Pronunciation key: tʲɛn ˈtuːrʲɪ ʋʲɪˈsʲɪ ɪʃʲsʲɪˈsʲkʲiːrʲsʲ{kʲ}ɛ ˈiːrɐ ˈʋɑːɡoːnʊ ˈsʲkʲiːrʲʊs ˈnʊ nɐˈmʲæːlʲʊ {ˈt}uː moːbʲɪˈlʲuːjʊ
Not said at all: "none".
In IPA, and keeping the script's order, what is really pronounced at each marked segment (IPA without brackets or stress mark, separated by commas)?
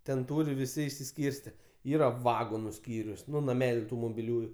tʲ, t